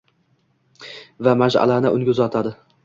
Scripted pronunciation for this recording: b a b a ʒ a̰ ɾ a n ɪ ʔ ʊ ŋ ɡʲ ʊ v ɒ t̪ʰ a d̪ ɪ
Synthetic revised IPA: v a m a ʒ a̰ l a n ɪ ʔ ʊ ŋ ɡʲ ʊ z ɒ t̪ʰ a d̪ ɪ